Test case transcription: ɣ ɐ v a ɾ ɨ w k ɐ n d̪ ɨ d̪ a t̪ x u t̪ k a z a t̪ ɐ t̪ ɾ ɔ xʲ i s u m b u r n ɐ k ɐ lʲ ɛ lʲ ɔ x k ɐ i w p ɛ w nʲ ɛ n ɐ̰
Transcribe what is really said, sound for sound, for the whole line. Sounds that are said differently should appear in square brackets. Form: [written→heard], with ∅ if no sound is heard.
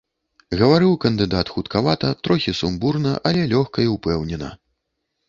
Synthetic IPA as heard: ɣ ɐ v a ɾ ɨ w k ɐ n d̪ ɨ d̪ a t̪ x u t̪ k a [z→v] a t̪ ɐ t̪ ɾ ɔ xʲ i s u m b u r n ɐ [k→ʔ] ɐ lʲ ɛ lʲ ɔ x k ɐ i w p ɛ w nʲ ɛ n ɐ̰

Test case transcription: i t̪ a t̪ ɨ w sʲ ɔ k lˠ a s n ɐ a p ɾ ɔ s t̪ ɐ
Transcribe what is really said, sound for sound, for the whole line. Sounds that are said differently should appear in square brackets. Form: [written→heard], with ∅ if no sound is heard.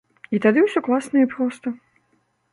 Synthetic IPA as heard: i t̪ a [t̪→d̪] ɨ w sʲ ɔ k lˠ a s n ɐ [a→i] p ɾ ɔ s t̪ ɐ

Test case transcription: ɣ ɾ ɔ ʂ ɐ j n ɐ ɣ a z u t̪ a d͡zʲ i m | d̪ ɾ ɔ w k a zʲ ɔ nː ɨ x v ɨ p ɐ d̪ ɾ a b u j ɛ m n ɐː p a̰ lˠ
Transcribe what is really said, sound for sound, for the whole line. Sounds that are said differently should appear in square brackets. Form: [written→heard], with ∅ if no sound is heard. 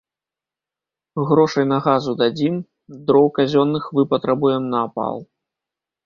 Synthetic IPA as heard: ɣ ɾ ɔ ʂ ɐ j n ɐ ɣ a z u [t̪→d̪] a d͡zʲ i m | d̪ ɾ ɔ w k a zʲ ɔ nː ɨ x v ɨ p ɐ [d̪→t̪] ɾ a b u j ɛ m n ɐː p a̰ lˠ

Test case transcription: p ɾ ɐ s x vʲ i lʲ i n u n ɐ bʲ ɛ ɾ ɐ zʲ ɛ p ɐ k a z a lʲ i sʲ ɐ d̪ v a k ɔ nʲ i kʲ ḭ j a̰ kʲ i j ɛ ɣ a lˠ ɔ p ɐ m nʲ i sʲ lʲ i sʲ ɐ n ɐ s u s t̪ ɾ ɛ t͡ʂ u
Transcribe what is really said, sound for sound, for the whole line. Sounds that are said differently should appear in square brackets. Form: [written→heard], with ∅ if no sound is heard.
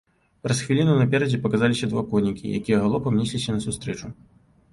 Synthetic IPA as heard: p ɾ ɐ s x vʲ i lʲ i n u n ɐ [bʲ→pʲ] ɛ ɾ ɐ [zʲ→d͡zʲ] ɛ p ɐ k a z a lʲ i sʲ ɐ d̪ v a k ɔ nʲ i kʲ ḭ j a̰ kʲ i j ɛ ɣ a lˠ ɔ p ɐ m nʲ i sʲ lʲ i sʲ ɐ n ɐ s u s t̪ ɾ ɛ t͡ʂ u

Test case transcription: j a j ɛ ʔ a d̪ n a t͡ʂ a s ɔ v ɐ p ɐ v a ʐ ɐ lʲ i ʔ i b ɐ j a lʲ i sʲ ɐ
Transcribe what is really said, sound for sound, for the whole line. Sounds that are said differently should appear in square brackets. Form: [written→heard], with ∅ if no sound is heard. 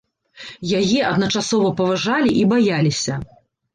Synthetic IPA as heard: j a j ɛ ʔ [a→ɐ] d̪ n [a→ɐ] t͡ʂ a s ɔ v ɐ p ɐ v a ʐ [ɐ→a] lʲ i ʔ i b [ɐ→a] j a lʲ i sʲ ɐ

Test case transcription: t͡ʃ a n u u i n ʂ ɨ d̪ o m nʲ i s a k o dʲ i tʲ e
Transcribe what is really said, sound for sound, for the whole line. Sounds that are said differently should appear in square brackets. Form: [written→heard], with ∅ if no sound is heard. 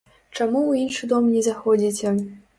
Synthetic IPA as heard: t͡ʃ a [n→m] u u i n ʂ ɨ d̪ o m nʲ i [s→z] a [k→x] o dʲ i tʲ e

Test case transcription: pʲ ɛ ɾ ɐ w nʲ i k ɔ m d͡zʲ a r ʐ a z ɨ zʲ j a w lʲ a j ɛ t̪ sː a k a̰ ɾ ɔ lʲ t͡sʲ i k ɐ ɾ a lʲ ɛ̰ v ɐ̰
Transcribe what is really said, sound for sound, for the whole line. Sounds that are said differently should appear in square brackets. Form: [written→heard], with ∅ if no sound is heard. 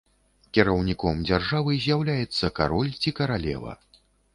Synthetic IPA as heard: [pʲ→kʲ] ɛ ɾ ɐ w nʲ i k ɔ m d͡zʲ a r ʐ a [z→v] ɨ zʲ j a w lʲ a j ɛ t̪ sː [a→ɐ] k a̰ ɾ ɔ lʲ t͡sʲ i k ɐ ɾ a lʲ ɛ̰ v ɐ̰

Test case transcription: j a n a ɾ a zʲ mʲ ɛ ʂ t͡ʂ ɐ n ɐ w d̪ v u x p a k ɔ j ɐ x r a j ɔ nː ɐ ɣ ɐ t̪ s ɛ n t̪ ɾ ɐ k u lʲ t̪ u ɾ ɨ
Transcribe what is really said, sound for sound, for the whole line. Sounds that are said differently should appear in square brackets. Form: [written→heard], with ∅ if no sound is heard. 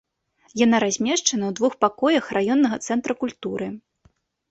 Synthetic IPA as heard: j a n a ɾ a zʲ mʲ ɛ ʂ t͡ʂ ɐ n ɐ w d̪ v u x p a k ɔ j ɐ x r a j ɔ nː ɐ ɣ ɐ t̪ s ɛ n t̪ ɾ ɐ k u lʲ t̪ u ɾ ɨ

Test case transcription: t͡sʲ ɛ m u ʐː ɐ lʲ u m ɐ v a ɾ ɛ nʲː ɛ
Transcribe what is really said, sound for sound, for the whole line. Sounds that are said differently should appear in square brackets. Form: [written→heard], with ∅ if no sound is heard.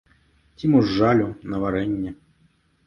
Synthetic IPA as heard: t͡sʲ [ɛ→i] m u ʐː [ɐ→a] lʲ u [m→n] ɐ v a ɾ ɛ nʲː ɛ

